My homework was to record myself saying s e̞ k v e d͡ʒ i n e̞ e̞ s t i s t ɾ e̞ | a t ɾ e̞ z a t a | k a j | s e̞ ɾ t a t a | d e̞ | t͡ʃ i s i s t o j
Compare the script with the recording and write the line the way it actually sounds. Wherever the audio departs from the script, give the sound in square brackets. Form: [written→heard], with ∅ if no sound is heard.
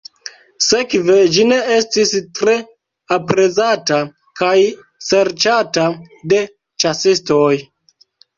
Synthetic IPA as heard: s e̞ k v e d͡ʒ i n e̞ e̞ s t i s t ɾ e̞ | a [t→p] ɾ e̞ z a t a | k a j | s e̞ ɾ [t→t͡ʃ] a t a | d e̞ | t͡ʃ [i→a] s i s t o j